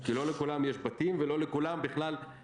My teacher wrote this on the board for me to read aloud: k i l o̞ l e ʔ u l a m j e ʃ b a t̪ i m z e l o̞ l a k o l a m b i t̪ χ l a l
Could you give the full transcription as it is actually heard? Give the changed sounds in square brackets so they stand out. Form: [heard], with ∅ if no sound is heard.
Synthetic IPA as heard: k i l o̞ l e [k] u l a m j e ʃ b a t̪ i m [v] e l o̞ l [e] k [u] l a m b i [∅] χ l a l